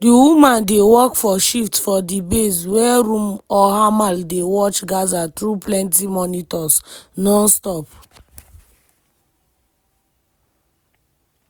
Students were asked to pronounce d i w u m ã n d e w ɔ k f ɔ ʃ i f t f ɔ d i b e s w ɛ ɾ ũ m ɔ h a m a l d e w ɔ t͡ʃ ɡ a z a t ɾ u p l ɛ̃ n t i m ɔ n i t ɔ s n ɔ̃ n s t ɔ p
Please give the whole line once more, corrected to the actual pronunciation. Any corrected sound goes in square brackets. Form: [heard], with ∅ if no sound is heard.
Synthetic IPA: d i w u m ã n d e w ɔ k f ɔ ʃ i f t f ɔ d i b e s w ɛ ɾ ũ m ɔ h a m a l d e w ɔ t͡ʃ ɡ a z a t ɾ u p l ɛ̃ n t i m ɔ n i t ɔ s n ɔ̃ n s t ɔ p